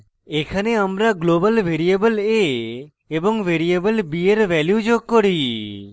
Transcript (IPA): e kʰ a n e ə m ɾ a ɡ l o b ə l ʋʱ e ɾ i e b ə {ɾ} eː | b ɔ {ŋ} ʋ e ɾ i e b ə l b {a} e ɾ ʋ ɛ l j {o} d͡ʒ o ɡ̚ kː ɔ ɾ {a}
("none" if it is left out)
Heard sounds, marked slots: l, ŋ, i, u, i

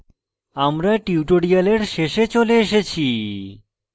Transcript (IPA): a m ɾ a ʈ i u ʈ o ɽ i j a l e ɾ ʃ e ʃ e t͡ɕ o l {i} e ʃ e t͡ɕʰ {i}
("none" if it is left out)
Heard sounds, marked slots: e, i

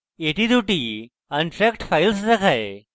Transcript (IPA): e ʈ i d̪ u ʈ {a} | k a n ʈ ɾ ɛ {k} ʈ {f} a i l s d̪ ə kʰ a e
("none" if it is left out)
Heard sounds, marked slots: i, k, f

